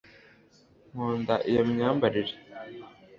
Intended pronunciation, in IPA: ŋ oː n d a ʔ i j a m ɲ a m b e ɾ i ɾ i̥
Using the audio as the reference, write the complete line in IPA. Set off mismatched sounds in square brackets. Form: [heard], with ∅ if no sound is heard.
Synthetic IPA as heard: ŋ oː n d a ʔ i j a m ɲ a m b [a] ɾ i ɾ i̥